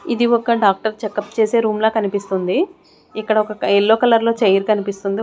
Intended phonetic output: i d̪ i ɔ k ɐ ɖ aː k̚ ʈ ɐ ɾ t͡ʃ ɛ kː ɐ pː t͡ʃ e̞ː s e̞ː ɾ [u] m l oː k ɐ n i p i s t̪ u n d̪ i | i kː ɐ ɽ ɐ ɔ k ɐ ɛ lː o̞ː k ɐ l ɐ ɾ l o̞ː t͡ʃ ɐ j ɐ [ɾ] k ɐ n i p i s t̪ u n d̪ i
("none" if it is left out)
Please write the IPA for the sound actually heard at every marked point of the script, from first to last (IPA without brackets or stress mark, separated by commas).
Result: uː, ɾ